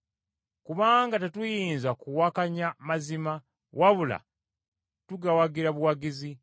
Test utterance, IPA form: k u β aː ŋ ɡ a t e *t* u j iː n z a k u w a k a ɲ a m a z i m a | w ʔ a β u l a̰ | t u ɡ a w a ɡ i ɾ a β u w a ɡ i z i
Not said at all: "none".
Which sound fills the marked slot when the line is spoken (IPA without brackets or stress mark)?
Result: t